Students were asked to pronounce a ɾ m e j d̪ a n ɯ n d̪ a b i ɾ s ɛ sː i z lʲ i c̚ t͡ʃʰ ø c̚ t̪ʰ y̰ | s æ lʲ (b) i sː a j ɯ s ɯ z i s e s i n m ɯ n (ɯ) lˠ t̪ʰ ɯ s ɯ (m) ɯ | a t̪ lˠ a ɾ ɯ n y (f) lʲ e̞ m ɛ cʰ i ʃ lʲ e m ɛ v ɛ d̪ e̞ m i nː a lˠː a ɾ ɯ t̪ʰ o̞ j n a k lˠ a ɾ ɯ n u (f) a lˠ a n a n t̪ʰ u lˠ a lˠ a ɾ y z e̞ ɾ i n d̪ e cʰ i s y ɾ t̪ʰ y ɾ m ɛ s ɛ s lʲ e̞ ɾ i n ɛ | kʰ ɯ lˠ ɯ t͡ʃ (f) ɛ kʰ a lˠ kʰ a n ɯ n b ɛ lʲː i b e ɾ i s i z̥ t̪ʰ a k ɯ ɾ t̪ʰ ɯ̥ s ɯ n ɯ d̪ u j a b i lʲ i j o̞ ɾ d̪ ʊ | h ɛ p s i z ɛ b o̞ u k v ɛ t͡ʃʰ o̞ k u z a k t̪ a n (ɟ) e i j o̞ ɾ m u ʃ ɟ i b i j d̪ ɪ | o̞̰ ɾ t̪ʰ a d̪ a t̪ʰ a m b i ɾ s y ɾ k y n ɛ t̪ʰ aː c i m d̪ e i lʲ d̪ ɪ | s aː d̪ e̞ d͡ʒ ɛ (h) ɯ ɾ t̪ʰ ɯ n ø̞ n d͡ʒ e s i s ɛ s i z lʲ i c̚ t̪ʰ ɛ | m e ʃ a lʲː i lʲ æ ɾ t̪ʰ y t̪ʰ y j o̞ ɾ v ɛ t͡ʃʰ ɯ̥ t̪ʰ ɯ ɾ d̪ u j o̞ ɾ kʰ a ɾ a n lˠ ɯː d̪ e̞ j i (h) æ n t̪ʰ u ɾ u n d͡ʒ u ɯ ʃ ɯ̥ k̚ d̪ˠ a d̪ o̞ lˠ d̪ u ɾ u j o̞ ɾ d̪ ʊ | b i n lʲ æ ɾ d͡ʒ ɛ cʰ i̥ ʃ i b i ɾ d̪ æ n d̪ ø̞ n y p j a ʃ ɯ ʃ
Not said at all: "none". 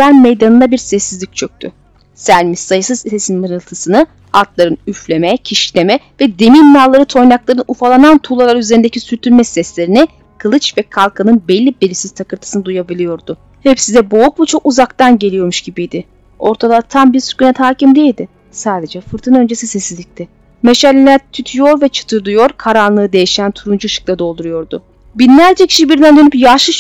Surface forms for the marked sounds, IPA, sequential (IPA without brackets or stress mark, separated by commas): m, ɯ, n, f, f, v, ɟ, f, ʃ